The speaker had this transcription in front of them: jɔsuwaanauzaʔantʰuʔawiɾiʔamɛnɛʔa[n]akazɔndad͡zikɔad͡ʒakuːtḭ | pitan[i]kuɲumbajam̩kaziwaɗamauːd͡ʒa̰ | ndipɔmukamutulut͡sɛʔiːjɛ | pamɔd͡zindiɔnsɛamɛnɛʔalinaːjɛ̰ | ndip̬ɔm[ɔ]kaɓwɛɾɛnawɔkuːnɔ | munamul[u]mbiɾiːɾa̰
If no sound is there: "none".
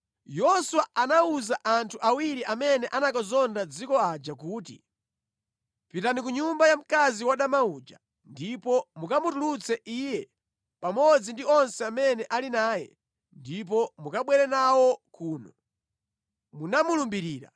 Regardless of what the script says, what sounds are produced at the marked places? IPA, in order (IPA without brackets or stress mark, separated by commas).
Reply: n, i, u, u